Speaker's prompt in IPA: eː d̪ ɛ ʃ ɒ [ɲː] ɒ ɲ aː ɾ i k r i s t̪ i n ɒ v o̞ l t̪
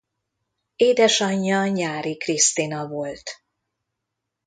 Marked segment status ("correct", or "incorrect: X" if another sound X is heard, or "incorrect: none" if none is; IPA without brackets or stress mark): correct